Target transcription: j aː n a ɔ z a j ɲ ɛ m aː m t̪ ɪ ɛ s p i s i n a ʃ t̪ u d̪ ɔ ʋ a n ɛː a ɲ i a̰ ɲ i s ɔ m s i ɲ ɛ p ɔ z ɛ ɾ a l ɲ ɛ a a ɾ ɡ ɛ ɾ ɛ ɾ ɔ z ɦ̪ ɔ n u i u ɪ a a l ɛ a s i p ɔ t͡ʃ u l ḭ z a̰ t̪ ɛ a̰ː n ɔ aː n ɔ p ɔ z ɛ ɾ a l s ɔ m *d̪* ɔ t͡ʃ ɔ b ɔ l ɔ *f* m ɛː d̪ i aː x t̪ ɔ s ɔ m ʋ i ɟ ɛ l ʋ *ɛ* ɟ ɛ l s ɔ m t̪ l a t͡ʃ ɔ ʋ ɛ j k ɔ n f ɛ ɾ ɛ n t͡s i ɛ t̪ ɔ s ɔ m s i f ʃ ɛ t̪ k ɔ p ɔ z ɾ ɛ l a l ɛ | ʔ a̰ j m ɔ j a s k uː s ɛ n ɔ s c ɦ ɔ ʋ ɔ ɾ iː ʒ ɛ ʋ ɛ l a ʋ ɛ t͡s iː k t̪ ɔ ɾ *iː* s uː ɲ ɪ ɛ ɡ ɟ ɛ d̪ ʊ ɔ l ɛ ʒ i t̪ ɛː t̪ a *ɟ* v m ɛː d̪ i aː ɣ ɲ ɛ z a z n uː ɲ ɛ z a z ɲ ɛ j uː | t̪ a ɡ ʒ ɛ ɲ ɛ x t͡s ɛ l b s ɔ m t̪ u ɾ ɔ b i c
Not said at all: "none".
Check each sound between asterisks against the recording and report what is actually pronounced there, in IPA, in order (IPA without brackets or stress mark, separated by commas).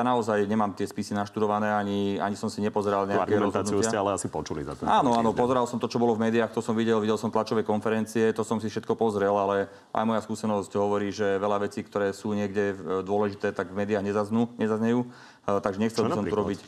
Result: t̪, v, i, ɛː, ɡ